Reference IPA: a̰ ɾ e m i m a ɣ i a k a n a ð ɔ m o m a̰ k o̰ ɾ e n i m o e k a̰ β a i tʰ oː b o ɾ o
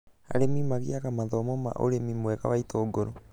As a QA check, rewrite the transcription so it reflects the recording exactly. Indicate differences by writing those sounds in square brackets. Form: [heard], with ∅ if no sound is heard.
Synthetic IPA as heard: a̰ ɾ e m i m a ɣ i a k a [m] a ð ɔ m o m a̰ [ʔ] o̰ ɾ e [m] i m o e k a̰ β a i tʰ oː [ɡ] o ɾ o